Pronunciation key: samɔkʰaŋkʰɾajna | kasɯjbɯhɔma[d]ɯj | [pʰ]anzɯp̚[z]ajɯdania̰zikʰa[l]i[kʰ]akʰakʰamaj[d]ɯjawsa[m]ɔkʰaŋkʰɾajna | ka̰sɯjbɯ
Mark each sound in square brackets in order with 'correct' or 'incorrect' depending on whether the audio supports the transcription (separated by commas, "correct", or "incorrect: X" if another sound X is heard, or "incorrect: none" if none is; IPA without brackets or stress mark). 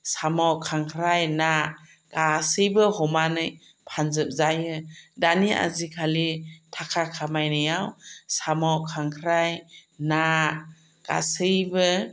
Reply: incorrect: n, correct, correct, correct, incorrect: tʰ, incorrect: n, correct